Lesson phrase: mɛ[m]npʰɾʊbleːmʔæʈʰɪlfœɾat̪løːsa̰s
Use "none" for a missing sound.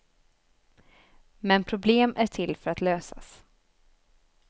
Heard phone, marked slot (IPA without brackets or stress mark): none